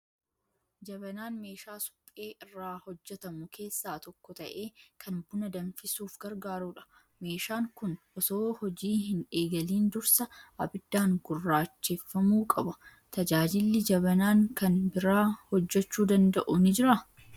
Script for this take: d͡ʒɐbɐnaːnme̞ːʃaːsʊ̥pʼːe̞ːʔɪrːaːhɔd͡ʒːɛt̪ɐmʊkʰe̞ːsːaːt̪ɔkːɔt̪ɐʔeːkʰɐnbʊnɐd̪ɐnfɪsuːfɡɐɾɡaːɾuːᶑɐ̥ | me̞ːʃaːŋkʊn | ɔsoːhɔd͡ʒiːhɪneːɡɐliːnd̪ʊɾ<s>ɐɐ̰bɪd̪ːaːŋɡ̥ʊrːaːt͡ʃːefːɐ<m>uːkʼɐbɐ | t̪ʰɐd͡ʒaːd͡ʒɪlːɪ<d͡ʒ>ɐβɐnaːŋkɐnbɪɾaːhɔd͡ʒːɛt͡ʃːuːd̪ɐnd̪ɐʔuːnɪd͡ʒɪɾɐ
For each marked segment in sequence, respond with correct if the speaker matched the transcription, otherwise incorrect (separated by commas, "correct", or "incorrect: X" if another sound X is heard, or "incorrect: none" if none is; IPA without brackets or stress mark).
correct, correct, correct